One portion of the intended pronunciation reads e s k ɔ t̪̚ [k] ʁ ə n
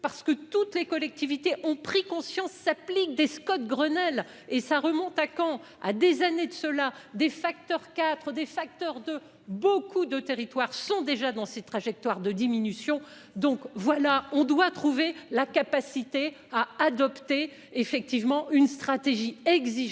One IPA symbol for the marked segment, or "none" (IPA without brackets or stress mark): ɡ